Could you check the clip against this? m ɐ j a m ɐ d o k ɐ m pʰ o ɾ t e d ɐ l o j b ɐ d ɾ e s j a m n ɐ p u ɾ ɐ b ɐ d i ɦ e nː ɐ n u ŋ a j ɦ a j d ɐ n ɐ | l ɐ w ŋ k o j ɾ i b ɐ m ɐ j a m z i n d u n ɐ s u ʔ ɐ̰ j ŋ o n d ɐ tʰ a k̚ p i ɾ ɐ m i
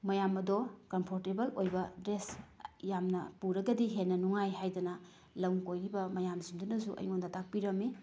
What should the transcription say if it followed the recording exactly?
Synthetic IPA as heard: m ɐ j a m ɐ d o k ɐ m pʰ o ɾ t e b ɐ l o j b ɐ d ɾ e s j a m n ɐ p u ɾ ɐ ɡ ɐ d i ɦ e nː ɐ n u ŋ a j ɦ a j d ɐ n ɐ | l ɐ w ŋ k o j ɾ i b ɐ m ɐ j a m z i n d u n ɐ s u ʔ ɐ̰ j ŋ o n d ɐ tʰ a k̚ p i ɾ ɐ m i